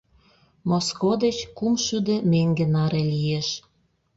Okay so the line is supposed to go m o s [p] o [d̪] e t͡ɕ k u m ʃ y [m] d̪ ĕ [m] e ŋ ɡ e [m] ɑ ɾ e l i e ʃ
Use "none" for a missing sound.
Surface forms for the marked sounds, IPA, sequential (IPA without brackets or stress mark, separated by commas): k, d̪, none, m, n